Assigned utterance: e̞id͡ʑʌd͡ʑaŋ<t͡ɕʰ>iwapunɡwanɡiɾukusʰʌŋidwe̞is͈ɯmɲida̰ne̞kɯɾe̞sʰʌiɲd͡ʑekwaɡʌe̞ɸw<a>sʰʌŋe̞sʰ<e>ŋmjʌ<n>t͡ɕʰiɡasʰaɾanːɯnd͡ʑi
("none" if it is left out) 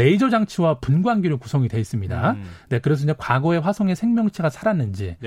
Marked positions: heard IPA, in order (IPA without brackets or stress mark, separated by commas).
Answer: t͡ɕʰ, a, e, ŋ